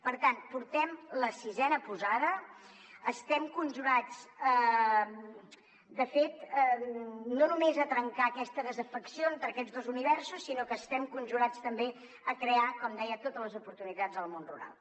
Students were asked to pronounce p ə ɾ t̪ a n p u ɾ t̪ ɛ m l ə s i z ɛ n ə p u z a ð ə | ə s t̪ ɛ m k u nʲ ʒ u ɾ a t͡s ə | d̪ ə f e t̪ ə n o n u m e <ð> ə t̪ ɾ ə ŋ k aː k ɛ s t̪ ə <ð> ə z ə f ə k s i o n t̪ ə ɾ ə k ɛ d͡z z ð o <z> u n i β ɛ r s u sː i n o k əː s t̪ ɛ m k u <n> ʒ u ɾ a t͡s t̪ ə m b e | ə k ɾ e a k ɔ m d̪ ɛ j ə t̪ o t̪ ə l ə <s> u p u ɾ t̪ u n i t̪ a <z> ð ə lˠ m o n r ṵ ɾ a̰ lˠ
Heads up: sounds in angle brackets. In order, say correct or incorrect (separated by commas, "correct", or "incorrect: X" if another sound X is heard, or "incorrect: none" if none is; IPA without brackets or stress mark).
incorrect: z, correct, correct, correct, incorrect: z, incorrect: d͡z